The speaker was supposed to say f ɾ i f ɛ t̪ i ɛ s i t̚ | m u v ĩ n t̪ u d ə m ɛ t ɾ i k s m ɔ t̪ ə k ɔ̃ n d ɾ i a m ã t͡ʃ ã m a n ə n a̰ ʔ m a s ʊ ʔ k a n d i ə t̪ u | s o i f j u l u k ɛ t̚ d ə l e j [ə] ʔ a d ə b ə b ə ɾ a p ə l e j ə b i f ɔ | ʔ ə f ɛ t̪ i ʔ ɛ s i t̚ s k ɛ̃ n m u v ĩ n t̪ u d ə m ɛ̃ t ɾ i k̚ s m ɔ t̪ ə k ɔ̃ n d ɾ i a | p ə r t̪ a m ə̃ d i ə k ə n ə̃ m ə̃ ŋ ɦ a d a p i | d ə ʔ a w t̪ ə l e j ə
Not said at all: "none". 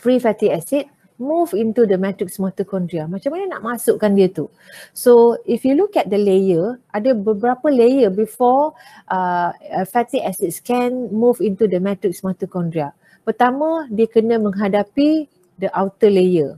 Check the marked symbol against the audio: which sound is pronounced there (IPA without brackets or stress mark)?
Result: ə